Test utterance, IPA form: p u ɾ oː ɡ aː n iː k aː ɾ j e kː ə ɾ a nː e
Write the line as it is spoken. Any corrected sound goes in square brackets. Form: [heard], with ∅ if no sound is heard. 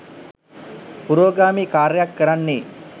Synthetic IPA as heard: p u ɾ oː ɡ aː [m] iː k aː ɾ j [a] kː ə ɾ a nː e